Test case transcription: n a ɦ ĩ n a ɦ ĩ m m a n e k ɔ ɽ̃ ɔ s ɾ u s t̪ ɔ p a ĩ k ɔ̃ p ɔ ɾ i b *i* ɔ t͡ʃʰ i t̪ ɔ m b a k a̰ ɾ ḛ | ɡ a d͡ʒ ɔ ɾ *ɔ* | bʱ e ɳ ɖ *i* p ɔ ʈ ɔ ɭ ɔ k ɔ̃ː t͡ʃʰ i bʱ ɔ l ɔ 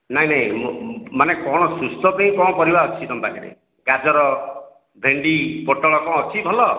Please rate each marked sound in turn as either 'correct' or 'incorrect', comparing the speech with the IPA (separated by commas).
incorrect, correct, correct